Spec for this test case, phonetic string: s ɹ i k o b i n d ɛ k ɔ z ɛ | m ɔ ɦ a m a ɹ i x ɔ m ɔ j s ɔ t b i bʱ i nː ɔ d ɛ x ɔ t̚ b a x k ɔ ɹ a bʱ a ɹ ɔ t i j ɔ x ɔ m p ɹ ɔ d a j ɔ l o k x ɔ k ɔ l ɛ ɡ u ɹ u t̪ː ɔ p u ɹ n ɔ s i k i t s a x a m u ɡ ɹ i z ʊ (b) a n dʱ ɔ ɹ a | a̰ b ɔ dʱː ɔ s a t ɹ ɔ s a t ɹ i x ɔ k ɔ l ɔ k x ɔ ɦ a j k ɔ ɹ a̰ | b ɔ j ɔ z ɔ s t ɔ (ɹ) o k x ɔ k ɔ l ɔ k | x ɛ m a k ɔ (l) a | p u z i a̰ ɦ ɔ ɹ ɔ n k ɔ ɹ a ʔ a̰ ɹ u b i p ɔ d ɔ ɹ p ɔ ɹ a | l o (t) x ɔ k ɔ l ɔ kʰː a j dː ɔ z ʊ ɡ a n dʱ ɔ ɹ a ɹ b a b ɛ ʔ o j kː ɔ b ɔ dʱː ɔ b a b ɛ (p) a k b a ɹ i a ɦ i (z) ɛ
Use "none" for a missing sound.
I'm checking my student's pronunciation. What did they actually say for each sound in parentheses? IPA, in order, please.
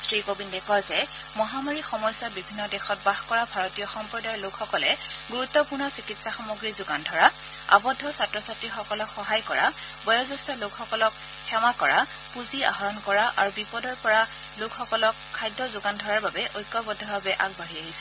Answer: ɡ, l, ɹ, k, ʔ, s

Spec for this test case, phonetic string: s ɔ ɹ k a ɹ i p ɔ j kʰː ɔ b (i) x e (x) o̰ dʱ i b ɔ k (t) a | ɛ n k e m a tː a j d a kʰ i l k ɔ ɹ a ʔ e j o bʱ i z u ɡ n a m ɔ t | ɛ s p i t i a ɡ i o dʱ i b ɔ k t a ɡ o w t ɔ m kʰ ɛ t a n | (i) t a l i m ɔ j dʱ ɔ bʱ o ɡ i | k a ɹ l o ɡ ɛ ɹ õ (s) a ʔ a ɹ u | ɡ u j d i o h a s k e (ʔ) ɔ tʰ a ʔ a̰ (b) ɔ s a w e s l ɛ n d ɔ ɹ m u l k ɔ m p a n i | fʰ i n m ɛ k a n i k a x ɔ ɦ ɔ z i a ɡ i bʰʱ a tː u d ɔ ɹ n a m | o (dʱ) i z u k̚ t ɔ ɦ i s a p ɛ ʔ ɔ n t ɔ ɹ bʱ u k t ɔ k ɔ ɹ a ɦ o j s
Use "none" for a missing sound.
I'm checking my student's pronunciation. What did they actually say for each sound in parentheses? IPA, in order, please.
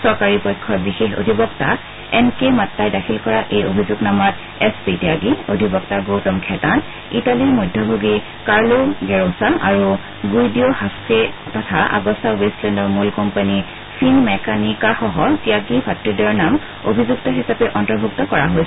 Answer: i, x, t, i, s, t, ɡ, bʱ

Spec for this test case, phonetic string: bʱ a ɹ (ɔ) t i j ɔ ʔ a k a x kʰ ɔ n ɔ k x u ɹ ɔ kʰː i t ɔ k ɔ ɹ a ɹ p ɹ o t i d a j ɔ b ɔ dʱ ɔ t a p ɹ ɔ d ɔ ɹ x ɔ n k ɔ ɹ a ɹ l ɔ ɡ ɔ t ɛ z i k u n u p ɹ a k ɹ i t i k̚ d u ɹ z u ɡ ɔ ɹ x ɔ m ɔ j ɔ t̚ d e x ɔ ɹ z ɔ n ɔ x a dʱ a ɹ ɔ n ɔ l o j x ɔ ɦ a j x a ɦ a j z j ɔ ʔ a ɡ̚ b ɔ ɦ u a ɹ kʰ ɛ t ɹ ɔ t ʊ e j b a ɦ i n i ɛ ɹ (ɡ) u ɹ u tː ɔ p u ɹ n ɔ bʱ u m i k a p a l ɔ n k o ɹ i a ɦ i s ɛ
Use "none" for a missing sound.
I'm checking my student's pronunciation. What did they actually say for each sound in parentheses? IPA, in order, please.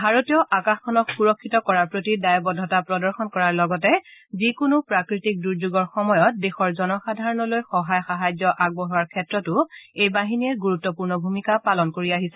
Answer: o, ɡ

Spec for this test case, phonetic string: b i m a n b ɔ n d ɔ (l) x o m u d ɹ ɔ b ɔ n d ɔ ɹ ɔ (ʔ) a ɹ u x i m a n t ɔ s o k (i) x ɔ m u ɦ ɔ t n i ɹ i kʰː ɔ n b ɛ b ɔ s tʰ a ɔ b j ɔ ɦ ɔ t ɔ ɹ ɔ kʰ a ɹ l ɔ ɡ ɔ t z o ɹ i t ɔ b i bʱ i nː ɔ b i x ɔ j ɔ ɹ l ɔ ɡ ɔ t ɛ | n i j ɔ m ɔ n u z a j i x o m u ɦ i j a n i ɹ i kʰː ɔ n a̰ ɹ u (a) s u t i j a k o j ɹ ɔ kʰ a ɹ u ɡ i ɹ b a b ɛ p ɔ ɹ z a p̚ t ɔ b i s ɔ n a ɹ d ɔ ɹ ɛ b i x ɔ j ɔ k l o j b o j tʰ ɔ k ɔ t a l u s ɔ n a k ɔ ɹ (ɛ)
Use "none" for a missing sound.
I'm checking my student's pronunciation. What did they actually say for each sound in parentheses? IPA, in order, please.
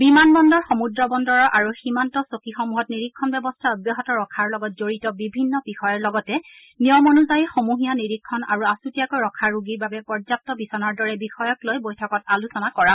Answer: ɹ, ʔ, i, a, a

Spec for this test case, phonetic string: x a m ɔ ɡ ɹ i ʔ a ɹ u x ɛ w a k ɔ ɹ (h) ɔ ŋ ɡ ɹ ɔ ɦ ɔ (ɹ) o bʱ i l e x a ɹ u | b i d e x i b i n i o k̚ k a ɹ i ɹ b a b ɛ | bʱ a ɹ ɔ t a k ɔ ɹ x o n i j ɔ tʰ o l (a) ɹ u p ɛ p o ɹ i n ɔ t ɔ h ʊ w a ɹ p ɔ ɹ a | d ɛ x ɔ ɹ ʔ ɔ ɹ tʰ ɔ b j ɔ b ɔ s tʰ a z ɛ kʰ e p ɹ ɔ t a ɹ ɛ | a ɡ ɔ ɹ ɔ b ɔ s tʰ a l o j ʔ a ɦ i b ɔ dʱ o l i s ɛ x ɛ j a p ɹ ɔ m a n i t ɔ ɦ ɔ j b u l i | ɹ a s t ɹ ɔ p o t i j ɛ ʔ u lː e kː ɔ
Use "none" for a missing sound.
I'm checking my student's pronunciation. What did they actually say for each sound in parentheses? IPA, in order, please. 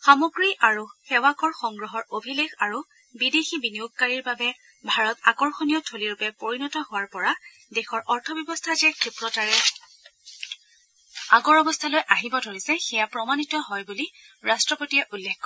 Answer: x, ɹ, i

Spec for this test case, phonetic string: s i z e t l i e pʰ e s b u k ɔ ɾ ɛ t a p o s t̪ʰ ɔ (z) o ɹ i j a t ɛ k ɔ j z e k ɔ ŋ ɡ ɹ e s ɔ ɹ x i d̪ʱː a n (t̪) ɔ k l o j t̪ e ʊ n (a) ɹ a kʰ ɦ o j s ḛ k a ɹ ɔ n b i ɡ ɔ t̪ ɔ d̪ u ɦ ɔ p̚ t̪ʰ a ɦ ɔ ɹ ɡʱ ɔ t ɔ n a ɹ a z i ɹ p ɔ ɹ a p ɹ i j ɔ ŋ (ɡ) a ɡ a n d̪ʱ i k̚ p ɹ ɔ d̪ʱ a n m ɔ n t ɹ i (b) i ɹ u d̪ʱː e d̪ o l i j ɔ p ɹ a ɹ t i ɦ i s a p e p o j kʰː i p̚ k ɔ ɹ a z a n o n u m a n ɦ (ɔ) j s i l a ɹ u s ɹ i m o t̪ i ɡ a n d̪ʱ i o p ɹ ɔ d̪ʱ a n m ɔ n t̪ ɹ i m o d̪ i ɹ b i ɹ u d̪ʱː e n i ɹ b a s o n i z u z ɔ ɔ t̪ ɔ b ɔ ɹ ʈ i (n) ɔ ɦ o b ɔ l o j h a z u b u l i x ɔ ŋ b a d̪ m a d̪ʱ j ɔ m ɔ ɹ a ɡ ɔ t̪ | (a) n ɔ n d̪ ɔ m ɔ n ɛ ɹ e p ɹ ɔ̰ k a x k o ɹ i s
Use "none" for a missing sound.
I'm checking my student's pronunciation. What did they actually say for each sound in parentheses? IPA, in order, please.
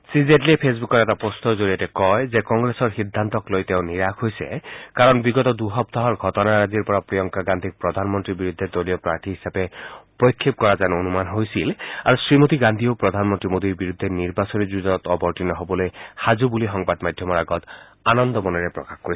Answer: z, t̪, i, k, b, o, n, a

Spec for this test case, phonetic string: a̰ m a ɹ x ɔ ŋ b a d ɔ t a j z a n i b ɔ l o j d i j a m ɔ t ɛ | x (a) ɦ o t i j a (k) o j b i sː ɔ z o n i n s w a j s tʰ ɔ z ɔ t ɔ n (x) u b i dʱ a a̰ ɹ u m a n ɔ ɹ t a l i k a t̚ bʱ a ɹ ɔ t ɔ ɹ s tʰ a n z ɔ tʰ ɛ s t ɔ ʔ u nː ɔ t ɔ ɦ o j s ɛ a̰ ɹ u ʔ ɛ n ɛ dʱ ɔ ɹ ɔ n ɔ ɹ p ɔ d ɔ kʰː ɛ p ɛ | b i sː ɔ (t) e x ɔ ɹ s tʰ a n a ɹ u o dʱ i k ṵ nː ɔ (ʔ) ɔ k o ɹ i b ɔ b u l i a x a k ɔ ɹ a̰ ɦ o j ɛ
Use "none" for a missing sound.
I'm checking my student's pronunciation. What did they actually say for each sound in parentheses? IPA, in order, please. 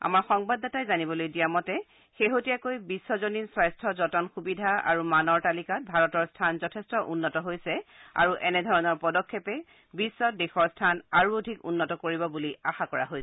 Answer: e, k, x, d, t

